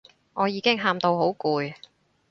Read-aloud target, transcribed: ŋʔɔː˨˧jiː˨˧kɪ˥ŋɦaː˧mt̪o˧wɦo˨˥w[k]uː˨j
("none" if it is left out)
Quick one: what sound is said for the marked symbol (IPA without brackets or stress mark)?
k